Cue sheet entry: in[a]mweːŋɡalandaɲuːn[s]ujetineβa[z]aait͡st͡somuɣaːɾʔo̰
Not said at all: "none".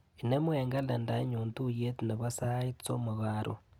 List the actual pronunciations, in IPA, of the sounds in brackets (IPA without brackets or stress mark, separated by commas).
e, t, s